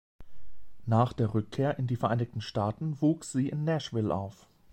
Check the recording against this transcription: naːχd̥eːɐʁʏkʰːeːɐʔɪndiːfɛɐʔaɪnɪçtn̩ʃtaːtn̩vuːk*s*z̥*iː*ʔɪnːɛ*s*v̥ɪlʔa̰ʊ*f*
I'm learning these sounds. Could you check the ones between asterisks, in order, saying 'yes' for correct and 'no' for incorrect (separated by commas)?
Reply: yes, yes, no, yes